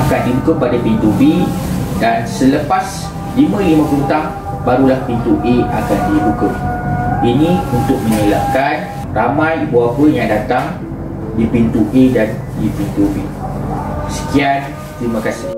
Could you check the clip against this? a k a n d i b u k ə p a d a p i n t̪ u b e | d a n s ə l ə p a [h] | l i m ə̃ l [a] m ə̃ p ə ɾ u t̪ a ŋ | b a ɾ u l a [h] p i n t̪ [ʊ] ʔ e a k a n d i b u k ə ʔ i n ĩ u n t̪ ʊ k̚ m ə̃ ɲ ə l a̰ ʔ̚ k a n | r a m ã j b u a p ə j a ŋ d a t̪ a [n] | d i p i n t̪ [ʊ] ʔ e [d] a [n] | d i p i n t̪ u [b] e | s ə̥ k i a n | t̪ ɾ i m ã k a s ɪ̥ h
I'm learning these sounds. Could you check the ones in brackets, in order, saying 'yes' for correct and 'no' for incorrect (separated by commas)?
no, no, yes, no, no, no, yes, yes, yes